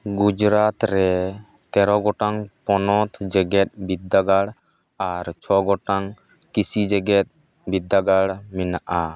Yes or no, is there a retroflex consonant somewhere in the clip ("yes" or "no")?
yes